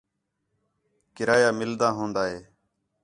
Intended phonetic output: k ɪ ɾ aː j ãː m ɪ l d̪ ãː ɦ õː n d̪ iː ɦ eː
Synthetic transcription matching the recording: k ɪ ɾ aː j aː m ɪ l d̪ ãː ɦ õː n d̪ aː ɦ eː